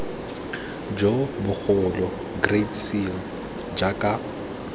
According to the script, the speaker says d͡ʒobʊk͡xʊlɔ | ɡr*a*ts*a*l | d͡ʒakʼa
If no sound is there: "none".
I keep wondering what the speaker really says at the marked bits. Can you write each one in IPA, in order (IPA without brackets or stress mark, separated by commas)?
e, i